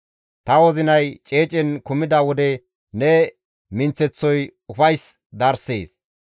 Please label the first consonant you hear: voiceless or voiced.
voiceless